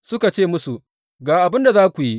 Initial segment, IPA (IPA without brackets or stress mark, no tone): s